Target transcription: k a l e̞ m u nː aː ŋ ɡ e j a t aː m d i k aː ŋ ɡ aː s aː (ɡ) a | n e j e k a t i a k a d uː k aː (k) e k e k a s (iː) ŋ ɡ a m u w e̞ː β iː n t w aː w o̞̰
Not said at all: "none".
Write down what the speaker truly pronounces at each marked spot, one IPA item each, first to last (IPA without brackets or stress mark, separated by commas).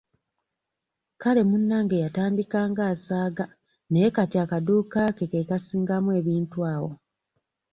ɡ, k, iː